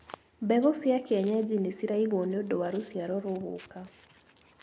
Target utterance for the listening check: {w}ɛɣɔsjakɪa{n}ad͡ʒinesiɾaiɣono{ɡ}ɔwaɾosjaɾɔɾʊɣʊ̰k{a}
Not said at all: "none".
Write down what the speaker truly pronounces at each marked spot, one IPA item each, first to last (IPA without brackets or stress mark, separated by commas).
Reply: b, ɲ, d, a